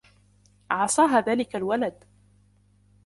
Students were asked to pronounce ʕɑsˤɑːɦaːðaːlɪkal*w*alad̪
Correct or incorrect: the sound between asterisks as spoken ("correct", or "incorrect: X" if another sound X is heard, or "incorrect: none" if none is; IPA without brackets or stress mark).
correct